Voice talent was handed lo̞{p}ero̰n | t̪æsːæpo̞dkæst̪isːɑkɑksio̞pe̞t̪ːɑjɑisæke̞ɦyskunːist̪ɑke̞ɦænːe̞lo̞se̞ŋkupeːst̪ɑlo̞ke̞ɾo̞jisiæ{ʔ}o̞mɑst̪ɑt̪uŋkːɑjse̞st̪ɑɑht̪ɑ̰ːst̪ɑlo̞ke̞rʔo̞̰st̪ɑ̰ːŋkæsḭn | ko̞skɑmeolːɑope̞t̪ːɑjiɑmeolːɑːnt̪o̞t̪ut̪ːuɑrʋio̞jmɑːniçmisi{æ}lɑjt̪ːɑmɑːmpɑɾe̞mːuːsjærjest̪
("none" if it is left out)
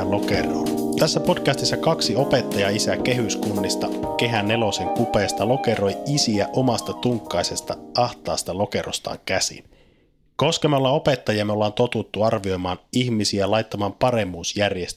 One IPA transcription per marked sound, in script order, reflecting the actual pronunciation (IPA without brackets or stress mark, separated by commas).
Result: k, ʔ, æ